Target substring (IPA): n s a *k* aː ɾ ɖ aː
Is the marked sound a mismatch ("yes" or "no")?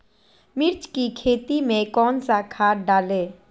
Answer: yes